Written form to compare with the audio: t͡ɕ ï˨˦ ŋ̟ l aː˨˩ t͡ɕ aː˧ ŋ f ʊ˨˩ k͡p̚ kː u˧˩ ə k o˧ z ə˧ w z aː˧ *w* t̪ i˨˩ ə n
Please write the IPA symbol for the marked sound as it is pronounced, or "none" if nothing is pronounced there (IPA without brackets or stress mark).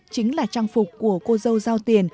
w